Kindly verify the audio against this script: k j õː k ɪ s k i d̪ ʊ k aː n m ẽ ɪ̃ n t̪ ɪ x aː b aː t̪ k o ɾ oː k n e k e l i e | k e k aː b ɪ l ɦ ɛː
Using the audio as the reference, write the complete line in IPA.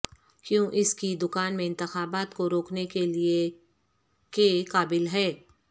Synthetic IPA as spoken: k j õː ʔ ɪ s k i d̪ ʊ k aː n m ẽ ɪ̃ n t̪ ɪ x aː b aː t̪ k o ɾ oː k n e k e l i e | k e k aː b ɪ l ɦ ɛː